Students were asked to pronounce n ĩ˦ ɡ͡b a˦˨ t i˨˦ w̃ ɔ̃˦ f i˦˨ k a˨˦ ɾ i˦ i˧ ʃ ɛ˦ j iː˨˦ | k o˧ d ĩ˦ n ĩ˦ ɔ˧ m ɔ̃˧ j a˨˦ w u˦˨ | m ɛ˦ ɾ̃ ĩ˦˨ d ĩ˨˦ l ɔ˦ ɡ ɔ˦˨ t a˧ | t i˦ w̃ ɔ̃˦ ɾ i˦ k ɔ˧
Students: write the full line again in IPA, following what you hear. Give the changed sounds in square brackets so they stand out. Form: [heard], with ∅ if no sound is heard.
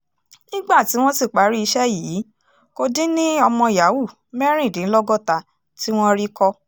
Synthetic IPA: n ĩ˦ ɡ͡b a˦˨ t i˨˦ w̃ ɔ̃˦ [s] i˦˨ [k͡p] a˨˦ ɾ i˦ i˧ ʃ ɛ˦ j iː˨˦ | k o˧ d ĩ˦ n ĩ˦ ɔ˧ m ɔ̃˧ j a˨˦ w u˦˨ | m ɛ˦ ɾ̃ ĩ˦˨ d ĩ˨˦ l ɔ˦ ɡ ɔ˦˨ t a˧ | t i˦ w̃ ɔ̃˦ ɾ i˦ k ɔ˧